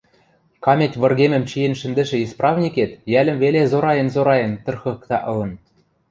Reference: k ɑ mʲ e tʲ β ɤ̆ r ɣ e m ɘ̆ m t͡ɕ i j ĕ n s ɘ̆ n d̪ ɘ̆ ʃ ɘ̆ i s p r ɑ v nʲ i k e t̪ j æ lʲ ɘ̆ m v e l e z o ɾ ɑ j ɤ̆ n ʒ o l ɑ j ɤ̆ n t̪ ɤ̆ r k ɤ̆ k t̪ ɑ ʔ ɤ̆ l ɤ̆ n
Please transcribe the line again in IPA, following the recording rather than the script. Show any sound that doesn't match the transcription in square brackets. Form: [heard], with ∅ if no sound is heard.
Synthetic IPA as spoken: k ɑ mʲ e tʲ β ɤ̆ r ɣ e m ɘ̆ m t͡ɕ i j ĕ n [ʃ] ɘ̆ n d̪ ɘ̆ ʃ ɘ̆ i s p r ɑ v nʲ i k e t̪ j æ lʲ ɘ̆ m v e l e z o ɾ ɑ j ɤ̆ n [z] o [ɾ] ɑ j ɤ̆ n t̪ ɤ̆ r [x] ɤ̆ k t̪ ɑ ʔ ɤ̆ l ɤ̆ n